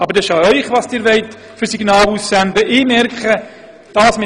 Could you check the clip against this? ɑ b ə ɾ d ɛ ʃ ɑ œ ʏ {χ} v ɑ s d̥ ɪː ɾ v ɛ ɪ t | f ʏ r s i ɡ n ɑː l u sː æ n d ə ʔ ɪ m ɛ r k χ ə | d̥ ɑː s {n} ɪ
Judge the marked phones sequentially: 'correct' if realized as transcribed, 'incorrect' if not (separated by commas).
correct, incorrect